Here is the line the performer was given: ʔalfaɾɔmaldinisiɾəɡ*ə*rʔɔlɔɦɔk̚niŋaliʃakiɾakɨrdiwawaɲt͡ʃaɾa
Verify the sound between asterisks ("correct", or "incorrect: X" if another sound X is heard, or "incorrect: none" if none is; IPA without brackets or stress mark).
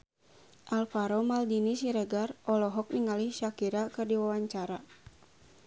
incorrect: a